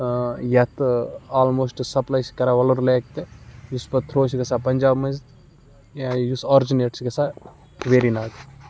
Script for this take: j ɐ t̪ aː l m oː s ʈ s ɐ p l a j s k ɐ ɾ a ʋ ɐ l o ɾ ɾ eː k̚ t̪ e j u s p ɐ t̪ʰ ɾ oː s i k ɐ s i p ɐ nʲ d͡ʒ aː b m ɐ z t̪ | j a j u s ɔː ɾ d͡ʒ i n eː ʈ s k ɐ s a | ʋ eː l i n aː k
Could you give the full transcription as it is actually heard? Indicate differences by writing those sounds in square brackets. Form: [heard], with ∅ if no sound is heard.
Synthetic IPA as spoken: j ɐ t̪ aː l m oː s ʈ s ɐ p l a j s k ɐ ɾ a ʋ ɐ l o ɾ [l] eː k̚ t̪ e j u s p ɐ t̪ʰ ɾ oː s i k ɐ s [a] p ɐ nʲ d͡ʒ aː b m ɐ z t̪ | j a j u s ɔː ɾ d͡ʒ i n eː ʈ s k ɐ s a | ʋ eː [ɾ] i n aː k